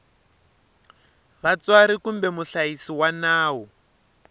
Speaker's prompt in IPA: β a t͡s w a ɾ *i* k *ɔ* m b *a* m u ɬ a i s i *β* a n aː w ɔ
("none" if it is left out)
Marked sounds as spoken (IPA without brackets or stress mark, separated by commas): i, u, ɛ, w